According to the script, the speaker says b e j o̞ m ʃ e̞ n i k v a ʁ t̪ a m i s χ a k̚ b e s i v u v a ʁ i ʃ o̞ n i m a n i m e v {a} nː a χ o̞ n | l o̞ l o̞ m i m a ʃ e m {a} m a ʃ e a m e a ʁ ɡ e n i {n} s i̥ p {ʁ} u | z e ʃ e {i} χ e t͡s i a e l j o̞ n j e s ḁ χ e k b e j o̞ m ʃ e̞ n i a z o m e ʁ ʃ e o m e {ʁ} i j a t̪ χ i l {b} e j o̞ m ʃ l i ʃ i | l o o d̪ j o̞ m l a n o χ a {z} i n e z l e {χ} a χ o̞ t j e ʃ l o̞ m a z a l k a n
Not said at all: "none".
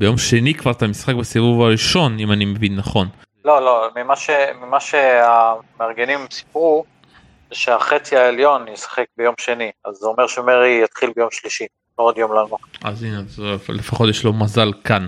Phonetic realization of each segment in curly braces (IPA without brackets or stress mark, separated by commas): i, i, m, ʁ, a, ʁ, b, z, f